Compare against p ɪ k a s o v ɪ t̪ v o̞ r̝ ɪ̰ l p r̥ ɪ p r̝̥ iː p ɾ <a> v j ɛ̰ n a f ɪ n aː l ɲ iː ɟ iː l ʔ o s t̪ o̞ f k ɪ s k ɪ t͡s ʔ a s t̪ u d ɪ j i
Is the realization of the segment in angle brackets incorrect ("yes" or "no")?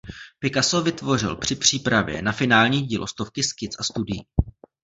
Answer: no